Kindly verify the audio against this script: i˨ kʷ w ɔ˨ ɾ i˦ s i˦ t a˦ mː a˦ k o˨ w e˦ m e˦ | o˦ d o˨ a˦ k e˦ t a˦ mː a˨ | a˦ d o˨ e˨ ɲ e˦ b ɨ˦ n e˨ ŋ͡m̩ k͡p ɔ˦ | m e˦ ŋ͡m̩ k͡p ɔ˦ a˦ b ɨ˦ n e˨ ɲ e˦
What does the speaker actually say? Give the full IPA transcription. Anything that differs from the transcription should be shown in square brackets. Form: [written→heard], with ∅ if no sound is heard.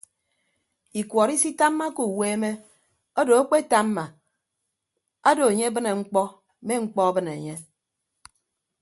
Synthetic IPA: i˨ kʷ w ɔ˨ ɾ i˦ s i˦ t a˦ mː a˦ k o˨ w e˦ m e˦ | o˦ d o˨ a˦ [k→k͡p] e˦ t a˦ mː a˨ | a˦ d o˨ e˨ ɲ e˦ b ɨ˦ n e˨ ŋ͡m̩ k͡p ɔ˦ | m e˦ ŋ͡m̩ k͡p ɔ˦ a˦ b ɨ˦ n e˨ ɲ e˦